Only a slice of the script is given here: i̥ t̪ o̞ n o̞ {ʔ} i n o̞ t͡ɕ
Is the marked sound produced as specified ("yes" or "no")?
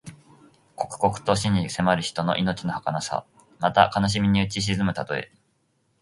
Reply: yes